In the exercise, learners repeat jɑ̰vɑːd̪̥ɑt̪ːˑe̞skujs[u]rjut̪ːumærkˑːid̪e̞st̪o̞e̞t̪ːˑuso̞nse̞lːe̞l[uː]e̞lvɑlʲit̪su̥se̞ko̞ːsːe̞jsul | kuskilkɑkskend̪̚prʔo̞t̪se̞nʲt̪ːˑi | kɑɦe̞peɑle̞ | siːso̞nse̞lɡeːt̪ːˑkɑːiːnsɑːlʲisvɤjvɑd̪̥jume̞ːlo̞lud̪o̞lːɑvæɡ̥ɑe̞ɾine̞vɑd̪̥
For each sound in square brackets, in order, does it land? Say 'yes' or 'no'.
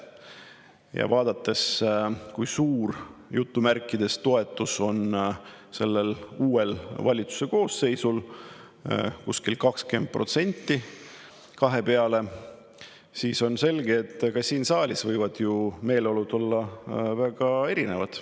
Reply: no, yes

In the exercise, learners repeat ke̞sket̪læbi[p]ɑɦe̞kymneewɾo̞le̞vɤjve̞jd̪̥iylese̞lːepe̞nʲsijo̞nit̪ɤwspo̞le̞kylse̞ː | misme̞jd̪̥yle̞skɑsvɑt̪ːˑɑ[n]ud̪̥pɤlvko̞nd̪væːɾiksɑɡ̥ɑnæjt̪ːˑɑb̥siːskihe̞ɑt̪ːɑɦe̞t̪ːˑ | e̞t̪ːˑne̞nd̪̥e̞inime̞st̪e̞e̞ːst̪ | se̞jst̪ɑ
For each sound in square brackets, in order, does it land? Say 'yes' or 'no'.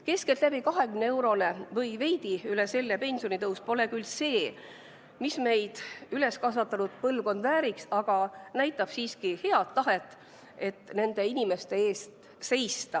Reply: no, yes

